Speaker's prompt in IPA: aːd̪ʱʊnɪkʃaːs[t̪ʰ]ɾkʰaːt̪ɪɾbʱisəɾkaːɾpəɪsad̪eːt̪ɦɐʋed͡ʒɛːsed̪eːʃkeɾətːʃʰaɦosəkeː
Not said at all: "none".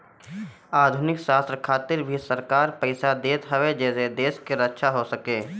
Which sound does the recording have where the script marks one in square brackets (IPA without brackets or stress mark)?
t̪